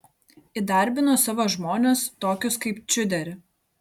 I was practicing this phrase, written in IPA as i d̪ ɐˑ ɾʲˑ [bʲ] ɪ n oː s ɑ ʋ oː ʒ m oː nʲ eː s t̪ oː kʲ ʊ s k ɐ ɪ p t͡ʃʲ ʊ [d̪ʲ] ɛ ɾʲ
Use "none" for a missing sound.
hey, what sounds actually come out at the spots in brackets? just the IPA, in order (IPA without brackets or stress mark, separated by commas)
bʲ, d̪ʲ